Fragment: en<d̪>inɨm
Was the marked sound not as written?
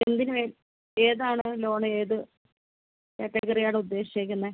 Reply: no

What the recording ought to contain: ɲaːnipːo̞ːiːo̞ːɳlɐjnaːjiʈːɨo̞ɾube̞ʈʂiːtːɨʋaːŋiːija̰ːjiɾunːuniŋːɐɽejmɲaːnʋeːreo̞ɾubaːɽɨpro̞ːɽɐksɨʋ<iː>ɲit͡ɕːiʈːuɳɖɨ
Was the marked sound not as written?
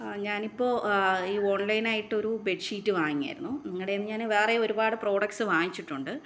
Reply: yes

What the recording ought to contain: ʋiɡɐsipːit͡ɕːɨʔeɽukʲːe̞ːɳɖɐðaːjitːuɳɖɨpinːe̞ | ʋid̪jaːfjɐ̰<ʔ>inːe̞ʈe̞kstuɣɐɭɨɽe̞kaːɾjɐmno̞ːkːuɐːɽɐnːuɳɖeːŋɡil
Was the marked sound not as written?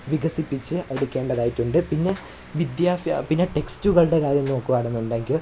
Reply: yes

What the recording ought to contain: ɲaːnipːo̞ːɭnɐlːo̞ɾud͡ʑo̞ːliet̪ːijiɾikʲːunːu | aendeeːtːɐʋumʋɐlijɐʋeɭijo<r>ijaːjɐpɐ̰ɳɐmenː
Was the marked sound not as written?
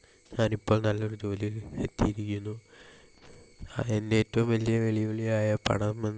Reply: yes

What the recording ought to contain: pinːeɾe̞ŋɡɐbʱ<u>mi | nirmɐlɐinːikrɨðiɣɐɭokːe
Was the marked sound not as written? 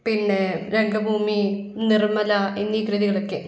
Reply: yes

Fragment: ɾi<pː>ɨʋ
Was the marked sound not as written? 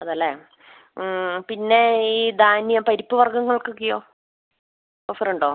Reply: no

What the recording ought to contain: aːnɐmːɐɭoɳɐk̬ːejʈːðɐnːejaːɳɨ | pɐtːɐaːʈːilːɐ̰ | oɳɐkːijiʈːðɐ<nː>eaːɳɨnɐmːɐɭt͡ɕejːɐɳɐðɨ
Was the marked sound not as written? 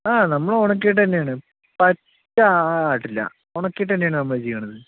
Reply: no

